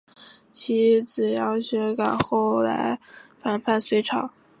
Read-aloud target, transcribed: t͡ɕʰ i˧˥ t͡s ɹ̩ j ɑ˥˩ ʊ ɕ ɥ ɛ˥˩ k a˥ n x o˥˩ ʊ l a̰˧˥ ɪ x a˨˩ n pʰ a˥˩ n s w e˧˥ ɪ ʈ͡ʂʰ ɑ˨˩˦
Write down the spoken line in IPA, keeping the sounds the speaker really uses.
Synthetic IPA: t͡ɕʰ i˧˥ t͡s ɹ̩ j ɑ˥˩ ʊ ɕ ɥ ɛ˧˥ k a˨˩ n x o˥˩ ʊ l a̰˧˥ ɪ f a˨˩ n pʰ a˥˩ n s w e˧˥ ɪ ʈ͡ʂʰ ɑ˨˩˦